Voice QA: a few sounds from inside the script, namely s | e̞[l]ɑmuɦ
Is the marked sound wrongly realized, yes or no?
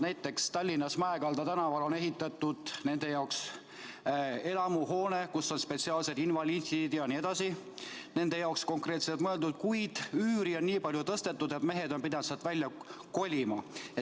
no